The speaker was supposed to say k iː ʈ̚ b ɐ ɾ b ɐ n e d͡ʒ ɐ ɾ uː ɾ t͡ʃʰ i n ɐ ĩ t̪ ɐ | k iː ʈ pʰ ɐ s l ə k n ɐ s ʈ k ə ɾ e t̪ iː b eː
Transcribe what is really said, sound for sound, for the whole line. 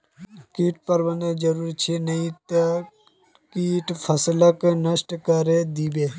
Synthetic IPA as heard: k iː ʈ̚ p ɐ ɾ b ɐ n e d͡ʒ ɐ ɾ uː ɾ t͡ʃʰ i n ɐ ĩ t̪ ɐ | k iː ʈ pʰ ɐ s l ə k n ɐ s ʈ k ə ɾ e d̪ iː b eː